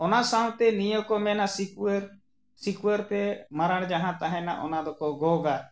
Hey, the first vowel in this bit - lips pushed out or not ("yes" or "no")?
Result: yes